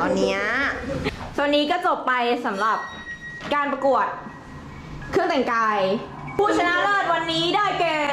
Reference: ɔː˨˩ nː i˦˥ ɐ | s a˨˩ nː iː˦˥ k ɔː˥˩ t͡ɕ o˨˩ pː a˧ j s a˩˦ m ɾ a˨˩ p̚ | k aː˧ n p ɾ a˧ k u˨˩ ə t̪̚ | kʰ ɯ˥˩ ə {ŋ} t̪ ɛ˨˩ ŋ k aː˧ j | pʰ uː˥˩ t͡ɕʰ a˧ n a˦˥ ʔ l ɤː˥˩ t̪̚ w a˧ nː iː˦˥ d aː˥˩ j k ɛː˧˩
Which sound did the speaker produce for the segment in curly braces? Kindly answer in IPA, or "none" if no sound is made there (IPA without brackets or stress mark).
ŋ